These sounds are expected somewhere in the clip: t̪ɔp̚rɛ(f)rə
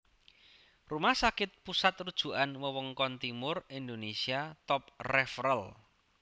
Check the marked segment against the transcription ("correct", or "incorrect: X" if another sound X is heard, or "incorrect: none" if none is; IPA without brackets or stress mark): correct